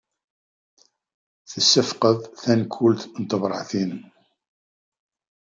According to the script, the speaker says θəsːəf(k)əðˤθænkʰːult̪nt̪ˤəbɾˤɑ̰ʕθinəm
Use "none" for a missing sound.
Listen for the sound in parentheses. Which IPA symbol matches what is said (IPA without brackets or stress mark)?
q